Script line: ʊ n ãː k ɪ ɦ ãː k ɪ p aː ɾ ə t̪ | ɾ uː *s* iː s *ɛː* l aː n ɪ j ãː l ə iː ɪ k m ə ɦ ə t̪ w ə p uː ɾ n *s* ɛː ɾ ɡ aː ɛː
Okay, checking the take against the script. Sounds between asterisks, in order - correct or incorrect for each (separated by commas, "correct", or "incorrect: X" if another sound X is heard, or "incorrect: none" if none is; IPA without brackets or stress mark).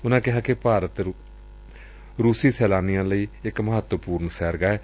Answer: correct, correct, correct